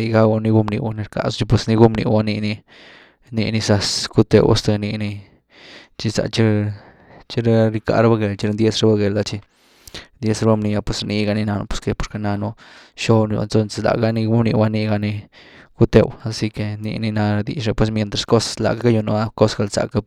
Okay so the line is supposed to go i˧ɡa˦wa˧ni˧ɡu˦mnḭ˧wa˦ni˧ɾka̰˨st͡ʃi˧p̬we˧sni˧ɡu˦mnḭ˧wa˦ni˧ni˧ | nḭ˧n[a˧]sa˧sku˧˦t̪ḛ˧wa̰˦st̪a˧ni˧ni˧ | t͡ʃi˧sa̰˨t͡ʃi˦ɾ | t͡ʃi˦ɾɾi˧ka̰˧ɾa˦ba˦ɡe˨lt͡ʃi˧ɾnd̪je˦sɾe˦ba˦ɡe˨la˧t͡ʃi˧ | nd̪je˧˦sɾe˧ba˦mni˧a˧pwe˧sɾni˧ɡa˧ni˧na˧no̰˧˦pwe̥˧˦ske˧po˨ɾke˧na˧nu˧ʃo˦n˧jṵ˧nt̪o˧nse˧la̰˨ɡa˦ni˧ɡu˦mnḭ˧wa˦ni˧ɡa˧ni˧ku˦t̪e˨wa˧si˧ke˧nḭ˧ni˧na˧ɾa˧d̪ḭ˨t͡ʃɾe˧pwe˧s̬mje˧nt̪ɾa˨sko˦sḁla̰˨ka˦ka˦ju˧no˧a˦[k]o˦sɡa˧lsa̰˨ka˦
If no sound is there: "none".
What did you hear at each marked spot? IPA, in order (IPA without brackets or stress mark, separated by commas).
i˧, k